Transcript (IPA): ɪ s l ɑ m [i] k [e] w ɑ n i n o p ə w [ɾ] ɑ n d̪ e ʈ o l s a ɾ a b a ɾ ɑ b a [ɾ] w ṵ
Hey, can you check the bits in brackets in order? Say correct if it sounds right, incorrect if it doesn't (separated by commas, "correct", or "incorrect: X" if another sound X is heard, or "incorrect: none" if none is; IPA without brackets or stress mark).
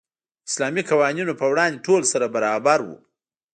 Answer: correct, incorrect: a, incorrect: ɽ, correct